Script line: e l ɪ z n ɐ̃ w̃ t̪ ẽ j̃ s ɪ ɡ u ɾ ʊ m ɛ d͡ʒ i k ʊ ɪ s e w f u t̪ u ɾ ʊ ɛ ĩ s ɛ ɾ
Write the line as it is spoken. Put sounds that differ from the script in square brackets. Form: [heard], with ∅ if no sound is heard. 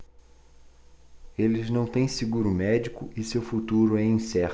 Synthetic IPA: e l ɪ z n ɐ̃ w̃ t̪ ẽ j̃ s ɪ ɡ u ɾ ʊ m ɛ d͡ʒ i k ʊ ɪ s e w f u t̪ u ɾ ʊ ɛ ĩ s ɛ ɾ